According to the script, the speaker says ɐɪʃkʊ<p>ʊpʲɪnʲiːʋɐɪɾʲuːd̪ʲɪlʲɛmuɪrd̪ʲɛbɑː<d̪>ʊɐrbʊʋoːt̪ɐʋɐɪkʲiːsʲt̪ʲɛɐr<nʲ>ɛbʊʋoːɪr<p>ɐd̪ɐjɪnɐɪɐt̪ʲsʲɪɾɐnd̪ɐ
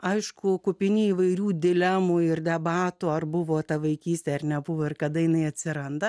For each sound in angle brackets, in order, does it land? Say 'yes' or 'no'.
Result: no, no, yes, no

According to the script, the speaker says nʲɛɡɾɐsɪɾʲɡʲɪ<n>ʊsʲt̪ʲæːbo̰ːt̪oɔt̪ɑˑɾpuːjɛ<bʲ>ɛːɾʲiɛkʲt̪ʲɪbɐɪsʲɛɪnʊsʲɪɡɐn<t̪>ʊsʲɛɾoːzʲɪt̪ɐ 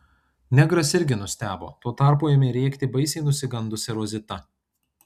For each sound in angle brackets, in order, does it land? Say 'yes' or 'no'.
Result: yes, no, no

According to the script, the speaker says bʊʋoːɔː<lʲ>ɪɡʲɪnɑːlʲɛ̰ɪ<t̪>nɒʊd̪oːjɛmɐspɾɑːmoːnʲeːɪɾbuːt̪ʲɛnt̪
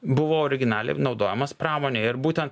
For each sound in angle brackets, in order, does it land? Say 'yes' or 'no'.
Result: no, no

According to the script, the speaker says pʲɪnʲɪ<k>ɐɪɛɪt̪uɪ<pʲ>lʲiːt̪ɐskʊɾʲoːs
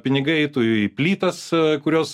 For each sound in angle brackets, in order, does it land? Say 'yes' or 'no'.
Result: no, yes

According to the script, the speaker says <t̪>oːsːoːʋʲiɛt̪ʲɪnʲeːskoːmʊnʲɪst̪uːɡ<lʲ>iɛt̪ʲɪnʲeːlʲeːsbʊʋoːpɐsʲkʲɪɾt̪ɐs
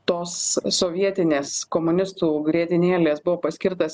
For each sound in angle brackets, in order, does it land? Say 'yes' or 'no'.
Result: yes, no

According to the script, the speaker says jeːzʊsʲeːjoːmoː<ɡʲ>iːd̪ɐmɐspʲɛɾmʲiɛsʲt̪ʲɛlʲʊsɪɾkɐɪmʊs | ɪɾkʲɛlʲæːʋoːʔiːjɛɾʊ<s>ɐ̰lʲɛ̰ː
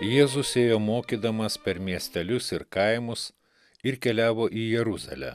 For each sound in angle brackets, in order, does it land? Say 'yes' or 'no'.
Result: no, no

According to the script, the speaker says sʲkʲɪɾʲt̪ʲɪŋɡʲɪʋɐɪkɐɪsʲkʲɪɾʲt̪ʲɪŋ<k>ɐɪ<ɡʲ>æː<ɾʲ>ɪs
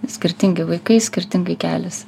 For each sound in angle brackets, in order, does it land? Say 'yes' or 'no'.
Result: no, no, no

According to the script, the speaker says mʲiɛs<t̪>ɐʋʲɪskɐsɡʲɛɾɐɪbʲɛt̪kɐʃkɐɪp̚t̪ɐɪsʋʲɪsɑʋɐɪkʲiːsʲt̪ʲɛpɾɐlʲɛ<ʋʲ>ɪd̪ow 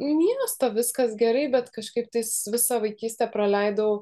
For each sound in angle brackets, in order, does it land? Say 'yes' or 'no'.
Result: yes, no

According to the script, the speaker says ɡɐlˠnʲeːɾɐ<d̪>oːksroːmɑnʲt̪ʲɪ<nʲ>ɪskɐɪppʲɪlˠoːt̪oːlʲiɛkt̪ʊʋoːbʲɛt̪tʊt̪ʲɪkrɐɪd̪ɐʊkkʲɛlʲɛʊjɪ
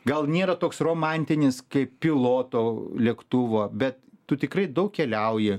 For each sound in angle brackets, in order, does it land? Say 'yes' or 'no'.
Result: no, yes

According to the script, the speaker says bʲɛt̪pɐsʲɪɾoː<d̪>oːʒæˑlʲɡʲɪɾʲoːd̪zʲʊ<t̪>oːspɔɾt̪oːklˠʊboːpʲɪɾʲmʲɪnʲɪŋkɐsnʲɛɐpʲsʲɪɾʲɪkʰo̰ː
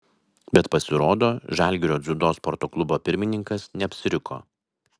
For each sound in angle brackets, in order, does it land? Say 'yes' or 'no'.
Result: yes, no

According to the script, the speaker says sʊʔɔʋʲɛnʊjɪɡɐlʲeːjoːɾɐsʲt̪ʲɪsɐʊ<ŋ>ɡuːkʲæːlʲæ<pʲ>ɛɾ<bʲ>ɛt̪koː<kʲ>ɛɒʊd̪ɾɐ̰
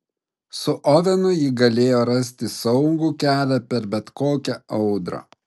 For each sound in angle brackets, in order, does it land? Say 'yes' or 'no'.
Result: yes, yes, yes, yes

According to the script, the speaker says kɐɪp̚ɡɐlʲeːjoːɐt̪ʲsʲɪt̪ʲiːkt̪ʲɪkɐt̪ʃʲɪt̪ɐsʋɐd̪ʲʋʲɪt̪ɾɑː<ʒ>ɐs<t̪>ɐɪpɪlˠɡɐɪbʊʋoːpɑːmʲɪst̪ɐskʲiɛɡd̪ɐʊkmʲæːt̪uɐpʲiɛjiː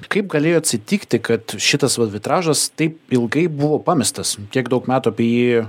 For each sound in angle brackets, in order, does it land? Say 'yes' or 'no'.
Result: yes, yes

